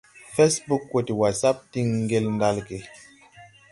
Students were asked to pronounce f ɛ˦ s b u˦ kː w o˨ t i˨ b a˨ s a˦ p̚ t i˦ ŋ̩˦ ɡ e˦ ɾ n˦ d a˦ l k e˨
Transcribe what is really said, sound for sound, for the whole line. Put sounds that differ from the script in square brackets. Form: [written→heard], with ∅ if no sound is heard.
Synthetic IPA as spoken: f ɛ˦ s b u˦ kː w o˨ t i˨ [b→w] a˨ s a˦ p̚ t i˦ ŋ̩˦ ɡ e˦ [ɾ→l] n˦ d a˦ l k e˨